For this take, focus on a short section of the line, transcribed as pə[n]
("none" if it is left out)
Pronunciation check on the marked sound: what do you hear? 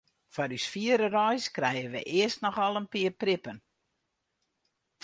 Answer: n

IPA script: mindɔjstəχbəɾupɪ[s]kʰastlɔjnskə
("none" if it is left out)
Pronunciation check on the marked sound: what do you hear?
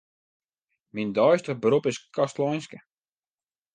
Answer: s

